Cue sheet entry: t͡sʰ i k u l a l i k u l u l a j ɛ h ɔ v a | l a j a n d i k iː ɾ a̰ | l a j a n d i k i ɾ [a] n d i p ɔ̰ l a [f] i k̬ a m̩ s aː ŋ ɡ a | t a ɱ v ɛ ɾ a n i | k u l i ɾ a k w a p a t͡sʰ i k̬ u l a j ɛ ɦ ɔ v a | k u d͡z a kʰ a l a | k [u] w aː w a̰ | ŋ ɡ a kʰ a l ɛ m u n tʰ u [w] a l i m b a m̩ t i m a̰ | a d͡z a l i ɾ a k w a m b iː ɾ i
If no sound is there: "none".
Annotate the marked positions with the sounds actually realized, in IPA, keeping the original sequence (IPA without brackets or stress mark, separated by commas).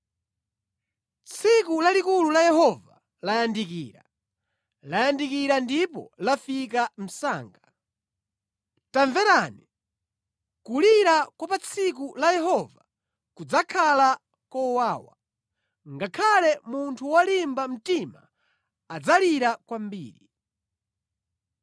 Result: a, f, ɔ, w